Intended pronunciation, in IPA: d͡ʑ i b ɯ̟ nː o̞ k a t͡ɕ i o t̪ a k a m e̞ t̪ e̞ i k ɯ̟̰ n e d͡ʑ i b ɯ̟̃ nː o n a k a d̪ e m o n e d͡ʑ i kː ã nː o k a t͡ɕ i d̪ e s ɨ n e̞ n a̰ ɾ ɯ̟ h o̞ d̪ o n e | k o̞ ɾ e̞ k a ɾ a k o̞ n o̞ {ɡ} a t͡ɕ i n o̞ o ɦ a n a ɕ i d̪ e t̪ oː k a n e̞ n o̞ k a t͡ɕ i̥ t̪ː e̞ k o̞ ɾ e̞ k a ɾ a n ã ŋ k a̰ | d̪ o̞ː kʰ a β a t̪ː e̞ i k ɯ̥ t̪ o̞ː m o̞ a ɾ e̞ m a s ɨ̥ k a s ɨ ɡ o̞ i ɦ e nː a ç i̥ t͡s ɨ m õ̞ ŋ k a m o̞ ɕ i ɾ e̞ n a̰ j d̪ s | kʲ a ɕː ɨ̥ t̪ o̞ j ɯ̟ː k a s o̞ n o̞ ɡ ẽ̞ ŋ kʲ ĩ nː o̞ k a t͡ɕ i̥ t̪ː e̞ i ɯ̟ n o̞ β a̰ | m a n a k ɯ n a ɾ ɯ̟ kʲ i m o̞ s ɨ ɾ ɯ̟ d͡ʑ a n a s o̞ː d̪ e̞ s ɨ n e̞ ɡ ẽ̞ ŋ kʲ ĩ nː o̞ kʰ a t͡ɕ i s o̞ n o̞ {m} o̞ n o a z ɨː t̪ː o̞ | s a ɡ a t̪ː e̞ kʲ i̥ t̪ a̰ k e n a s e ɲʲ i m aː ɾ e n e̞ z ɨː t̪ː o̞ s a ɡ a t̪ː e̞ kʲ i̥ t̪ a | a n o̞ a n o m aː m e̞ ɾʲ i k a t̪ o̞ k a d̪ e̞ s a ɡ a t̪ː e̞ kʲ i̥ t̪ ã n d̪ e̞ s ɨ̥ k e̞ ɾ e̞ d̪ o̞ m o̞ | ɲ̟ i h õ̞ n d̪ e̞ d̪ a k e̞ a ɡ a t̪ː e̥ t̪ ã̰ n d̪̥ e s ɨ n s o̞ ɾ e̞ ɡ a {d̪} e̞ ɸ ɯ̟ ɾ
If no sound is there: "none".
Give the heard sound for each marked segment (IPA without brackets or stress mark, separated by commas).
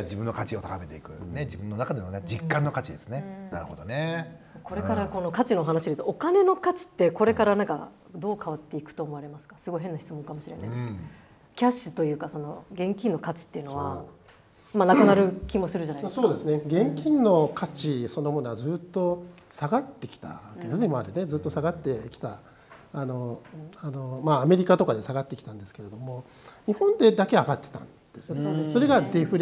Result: k, m, d̪